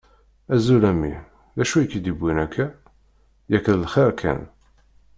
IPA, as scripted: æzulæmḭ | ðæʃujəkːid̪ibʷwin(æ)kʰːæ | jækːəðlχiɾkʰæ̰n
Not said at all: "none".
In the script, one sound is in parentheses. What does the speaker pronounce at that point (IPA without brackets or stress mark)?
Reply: æ